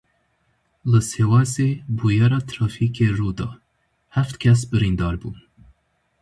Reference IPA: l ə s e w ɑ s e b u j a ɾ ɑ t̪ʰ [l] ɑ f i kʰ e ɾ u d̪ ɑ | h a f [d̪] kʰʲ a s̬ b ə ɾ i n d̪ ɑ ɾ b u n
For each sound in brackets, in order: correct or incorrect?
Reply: incorrect, incorrect

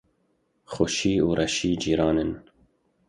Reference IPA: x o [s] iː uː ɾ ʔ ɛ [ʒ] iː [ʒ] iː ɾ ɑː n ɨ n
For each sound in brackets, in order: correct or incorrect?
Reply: incorrect, incorrect, incorrect

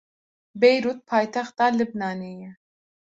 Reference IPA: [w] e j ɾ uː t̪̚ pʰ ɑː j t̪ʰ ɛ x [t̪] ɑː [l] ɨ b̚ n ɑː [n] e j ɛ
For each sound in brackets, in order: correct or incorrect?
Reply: incorrect, correct, correct, correct

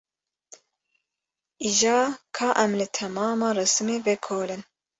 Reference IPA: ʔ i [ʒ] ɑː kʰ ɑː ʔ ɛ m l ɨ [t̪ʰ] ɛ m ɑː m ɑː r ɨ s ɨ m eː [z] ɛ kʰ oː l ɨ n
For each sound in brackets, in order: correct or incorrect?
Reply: correct, correct, incorrect

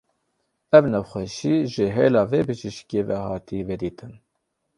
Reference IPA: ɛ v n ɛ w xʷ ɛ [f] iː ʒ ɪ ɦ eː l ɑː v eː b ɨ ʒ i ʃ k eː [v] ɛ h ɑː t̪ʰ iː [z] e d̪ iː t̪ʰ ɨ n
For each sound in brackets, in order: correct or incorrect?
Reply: incorrect, correct, incorrect

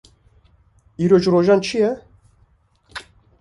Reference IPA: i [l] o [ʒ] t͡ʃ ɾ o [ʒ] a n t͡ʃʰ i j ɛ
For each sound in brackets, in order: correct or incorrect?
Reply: incorrect, incorrect, correct

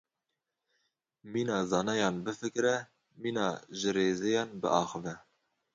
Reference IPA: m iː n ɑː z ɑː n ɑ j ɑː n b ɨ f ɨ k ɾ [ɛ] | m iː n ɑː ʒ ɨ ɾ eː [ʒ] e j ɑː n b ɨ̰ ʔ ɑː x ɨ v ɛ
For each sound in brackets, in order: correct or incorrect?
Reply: correct, incorrect

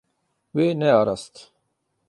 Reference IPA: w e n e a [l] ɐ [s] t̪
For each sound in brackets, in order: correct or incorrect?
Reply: incorrect, correct

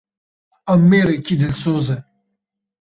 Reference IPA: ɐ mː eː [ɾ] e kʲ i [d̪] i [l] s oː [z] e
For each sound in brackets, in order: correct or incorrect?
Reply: correct, correct, correct, correct

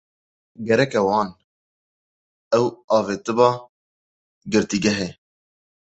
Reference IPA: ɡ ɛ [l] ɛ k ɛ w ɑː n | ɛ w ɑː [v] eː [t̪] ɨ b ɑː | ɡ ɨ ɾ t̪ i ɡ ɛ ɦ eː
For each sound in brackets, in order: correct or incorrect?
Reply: incorrect, correct, correct

